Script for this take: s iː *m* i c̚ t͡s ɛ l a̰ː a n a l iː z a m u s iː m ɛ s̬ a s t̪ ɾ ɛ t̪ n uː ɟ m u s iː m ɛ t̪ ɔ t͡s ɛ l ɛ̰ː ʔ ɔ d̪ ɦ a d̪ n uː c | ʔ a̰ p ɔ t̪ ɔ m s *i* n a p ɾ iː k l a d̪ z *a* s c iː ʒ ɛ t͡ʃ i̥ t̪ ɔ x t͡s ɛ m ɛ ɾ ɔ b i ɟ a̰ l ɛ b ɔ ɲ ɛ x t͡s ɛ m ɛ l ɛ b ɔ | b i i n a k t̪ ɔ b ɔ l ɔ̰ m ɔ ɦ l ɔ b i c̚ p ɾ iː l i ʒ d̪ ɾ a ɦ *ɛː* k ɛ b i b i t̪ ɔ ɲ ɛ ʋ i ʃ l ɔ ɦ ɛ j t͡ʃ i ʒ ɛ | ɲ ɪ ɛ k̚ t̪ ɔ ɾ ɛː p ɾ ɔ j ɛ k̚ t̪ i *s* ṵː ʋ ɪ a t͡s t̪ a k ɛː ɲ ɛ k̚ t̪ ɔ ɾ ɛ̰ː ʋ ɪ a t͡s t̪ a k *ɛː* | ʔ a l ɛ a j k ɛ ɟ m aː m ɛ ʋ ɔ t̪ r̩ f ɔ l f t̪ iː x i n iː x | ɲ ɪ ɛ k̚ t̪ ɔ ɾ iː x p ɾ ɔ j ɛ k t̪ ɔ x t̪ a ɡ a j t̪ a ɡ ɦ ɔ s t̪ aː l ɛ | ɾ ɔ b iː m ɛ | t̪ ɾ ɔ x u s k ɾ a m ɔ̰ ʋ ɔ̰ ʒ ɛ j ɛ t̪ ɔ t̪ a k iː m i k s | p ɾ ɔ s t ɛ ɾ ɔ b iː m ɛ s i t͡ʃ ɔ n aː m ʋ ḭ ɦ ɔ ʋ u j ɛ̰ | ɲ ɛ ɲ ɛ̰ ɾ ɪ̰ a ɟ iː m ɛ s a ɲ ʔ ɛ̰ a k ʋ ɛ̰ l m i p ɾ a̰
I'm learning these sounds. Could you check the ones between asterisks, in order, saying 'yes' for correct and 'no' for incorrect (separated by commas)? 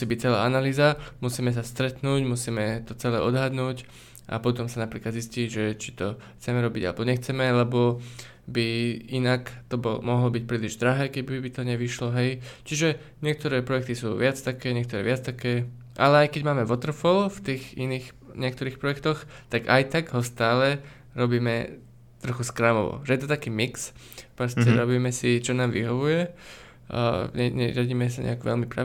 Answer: no, no, no, yes, yes, yes